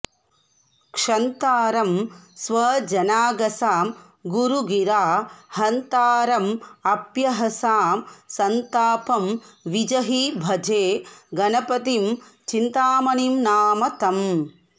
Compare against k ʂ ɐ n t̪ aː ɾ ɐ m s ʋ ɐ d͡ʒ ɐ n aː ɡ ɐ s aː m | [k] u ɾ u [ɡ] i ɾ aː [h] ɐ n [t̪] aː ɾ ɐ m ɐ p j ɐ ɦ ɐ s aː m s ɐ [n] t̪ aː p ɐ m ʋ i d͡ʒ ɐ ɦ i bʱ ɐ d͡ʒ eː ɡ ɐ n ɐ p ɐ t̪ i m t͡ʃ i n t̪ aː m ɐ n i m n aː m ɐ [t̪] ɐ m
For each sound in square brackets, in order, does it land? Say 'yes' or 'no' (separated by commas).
no, yes, yes, yes, yes, yes